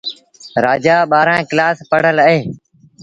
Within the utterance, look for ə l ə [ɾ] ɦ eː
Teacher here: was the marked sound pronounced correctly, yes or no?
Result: no